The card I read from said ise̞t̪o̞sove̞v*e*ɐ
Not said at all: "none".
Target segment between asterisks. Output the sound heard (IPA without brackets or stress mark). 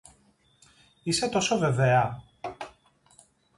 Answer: e